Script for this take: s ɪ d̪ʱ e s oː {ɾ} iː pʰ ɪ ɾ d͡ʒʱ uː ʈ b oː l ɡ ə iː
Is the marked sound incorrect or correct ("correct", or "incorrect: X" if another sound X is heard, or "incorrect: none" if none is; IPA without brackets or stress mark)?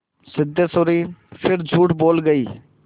correct